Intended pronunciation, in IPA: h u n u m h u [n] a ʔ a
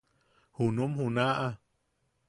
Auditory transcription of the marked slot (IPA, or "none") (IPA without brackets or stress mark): n